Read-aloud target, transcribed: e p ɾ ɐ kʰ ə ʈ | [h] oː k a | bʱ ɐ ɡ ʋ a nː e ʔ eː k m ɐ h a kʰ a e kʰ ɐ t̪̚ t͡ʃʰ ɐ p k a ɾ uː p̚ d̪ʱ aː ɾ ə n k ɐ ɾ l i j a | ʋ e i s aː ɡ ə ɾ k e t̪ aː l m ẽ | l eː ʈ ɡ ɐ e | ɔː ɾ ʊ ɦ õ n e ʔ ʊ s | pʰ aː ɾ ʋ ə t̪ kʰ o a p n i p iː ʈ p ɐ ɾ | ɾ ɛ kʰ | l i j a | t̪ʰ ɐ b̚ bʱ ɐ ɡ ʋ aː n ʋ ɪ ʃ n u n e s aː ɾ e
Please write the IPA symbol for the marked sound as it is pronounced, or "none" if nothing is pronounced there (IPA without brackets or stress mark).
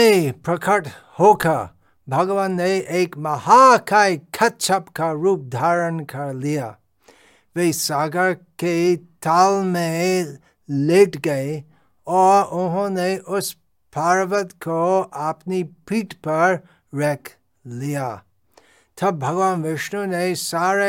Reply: h